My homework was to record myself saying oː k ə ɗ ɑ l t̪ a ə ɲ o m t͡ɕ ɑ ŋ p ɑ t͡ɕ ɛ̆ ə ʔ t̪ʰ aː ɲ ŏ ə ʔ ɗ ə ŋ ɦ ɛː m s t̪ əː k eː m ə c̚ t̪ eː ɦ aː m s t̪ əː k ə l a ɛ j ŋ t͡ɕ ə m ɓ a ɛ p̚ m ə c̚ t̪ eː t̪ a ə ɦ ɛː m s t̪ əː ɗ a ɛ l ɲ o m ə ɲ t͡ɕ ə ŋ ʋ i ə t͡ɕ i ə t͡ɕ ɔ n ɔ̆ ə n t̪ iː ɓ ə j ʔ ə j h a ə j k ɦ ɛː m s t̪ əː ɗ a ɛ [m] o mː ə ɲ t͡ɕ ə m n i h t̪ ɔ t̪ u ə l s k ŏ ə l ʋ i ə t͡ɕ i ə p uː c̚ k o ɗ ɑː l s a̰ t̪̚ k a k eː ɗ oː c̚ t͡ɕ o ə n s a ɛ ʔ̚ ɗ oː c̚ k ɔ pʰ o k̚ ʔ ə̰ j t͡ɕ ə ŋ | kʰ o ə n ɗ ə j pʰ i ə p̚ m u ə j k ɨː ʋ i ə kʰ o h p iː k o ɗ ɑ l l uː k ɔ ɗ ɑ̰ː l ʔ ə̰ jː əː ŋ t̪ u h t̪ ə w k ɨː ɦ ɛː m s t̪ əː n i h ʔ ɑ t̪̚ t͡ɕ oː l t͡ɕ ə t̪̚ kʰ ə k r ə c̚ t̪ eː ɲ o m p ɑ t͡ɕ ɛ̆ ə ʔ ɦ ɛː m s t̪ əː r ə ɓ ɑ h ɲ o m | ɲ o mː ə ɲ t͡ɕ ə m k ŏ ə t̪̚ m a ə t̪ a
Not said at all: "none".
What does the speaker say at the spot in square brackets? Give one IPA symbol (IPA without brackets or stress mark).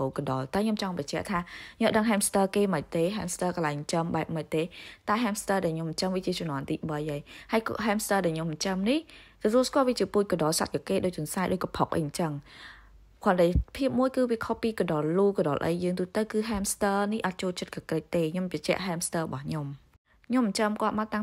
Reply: ɲ